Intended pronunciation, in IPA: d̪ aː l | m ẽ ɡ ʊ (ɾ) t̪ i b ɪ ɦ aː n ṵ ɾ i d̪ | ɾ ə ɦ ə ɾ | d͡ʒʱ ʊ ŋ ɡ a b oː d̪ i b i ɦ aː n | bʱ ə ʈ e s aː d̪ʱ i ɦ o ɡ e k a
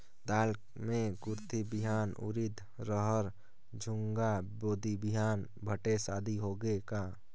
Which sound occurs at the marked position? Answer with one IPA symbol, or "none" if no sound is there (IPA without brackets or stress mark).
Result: ɾ